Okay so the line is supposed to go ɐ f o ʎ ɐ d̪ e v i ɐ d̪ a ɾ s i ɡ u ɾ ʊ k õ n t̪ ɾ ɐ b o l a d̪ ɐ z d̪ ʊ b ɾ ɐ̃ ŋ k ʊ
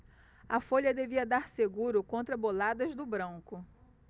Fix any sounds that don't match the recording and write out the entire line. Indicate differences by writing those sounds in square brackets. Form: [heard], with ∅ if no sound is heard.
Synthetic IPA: ɐ f o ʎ ɐ d̪ e v i ɐ d̪ a ɾ s [e] ɡ u ɾ ʊ k õ n t̪ ɾ ɐ b o l a d̪ ɐ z d̪ ʊ b ɾ ɐ̃ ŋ k ʊ